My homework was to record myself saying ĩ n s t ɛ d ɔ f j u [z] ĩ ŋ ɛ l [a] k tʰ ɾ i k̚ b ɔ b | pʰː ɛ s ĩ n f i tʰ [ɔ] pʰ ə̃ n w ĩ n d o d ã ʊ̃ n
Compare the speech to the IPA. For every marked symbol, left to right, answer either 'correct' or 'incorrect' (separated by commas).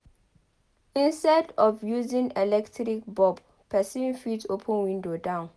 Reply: correct, incorrect, incorrect